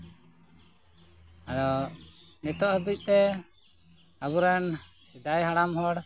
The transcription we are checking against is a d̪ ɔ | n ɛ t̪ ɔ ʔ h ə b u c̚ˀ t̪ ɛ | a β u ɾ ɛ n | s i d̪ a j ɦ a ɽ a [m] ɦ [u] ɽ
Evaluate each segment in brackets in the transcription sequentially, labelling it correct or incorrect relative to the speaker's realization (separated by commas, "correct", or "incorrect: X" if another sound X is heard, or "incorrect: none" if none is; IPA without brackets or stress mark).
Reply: correct, incorrect: ɔ